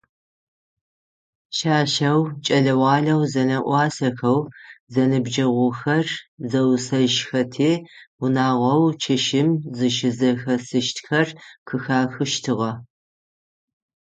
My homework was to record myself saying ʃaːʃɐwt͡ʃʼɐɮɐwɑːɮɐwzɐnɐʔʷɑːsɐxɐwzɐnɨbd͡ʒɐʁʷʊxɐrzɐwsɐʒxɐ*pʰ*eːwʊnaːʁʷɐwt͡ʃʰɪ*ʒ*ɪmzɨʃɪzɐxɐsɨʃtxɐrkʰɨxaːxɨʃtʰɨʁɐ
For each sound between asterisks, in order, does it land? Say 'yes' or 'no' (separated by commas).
no, no